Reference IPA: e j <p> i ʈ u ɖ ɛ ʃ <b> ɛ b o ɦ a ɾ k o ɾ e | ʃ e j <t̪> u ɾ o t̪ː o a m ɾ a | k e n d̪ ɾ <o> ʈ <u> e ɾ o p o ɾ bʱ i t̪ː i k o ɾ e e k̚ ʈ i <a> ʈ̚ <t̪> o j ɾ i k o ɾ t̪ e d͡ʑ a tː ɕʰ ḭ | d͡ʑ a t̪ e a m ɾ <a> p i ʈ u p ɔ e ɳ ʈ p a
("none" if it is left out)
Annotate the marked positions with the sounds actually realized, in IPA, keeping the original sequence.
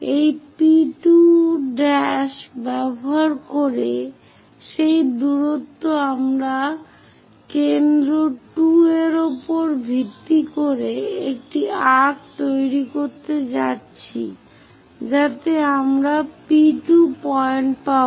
p, b, d̪, o, u, a, t̪, a

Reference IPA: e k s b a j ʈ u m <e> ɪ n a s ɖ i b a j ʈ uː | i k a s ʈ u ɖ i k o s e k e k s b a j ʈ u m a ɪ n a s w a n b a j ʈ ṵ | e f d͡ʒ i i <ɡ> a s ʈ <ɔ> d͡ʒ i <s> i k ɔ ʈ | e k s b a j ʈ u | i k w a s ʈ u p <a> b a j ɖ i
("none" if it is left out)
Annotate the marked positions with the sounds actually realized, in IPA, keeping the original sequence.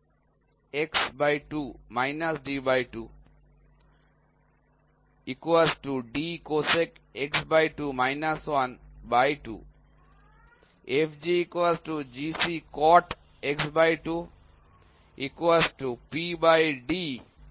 a, k, u, s, i

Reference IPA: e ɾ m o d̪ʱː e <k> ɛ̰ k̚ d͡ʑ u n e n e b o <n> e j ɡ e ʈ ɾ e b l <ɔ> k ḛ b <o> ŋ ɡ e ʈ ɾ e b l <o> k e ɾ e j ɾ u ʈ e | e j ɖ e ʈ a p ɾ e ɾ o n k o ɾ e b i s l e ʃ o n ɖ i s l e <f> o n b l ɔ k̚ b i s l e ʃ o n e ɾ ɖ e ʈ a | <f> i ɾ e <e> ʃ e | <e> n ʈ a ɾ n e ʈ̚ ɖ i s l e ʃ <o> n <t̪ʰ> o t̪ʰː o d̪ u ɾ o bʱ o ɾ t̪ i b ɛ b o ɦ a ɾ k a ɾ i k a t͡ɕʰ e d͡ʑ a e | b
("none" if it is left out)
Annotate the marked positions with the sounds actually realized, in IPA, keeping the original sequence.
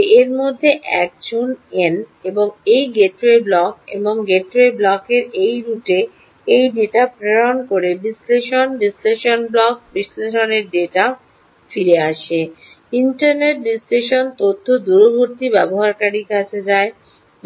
ʔ, ŋ, ɔ, o, ɔ, ʃ, f, a, i, o, t̪

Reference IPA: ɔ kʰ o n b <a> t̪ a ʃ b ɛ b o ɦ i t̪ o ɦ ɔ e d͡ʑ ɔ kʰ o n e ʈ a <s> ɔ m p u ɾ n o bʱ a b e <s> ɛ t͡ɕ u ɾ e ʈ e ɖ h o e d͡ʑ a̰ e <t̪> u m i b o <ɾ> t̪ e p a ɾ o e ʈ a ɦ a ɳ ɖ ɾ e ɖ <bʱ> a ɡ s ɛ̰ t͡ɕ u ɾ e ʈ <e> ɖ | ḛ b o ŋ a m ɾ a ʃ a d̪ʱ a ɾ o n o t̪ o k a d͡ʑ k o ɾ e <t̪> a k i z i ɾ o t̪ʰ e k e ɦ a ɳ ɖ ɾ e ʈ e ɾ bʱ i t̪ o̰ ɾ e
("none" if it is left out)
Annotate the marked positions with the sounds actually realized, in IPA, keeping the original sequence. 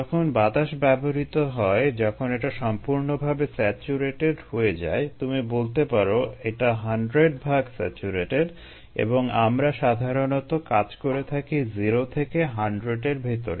a, ʃ, s, t̪, l, bʱ, e, t̪ʰ

